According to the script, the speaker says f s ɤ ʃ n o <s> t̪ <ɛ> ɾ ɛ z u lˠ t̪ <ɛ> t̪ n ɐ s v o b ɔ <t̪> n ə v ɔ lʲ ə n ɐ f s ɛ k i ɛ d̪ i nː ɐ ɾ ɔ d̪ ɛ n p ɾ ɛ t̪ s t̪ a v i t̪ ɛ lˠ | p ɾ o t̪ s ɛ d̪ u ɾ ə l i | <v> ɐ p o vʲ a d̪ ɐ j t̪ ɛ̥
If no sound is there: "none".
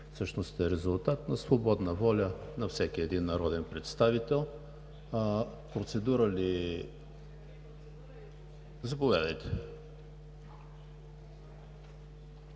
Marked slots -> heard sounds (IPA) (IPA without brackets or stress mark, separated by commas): s, ɛ, a, d̪, z